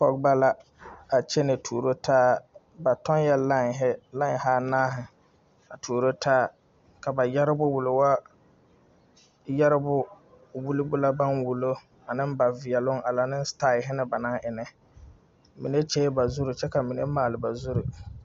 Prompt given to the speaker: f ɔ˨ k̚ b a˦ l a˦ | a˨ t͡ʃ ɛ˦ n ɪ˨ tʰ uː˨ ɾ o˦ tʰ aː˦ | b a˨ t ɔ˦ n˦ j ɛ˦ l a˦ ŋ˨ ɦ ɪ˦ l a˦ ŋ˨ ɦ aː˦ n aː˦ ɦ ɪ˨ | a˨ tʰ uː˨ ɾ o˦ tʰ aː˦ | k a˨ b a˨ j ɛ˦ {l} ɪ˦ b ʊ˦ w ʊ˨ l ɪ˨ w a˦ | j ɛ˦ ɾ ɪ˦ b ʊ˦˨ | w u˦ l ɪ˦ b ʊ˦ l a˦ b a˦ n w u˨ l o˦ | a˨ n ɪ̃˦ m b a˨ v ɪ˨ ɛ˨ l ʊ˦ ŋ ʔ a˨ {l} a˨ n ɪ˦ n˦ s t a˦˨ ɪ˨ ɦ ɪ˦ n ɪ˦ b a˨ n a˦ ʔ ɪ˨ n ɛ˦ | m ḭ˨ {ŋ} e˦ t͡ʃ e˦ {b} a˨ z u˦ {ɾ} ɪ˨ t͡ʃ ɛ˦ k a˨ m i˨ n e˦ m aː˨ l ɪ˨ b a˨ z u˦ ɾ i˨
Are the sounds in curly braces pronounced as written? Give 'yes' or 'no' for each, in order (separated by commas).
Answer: no, yes, no, yes, yes